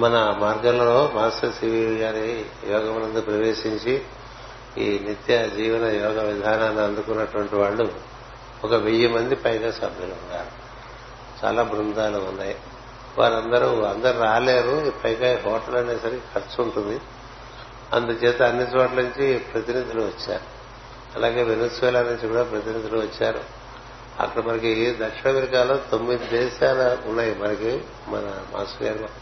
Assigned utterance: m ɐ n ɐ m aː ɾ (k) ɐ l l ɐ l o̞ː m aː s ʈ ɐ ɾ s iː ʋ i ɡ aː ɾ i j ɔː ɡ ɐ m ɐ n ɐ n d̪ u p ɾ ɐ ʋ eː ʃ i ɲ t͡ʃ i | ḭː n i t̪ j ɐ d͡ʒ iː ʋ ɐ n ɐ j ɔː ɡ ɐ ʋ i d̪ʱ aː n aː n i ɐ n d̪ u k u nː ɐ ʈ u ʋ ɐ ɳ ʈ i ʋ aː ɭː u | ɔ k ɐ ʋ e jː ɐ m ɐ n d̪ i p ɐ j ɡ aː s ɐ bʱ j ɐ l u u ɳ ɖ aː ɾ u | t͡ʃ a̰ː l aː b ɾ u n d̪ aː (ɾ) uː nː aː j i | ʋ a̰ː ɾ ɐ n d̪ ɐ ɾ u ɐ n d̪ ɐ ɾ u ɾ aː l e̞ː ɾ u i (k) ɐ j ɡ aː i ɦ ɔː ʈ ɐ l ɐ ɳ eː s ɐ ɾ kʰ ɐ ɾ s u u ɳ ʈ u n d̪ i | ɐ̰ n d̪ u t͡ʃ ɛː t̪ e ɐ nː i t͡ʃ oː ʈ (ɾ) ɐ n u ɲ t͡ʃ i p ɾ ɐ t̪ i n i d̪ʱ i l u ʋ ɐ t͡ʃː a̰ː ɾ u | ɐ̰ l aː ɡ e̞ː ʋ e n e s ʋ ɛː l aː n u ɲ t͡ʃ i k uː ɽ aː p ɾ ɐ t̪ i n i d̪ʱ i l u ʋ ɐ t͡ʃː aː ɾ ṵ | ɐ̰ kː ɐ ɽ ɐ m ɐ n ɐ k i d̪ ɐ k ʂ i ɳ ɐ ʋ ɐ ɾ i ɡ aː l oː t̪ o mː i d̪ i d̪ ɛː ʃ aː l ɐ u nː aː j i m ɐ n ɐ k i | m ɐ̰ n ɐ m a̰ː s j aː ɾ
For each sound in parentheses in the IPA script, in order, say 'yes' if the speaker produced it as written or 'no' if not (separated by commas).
no, no, no, no